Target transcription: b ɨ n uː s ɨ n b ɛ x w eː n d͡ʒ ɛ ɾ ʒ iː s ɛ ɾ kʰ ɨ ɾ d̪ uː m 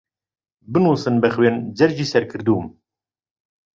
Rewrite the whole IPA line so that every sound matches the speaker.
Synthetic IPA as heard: b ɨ n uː s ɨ n b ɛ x w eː n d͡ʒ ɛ ɾ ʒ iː s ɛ ɾ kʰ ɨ ɾ d̪ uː m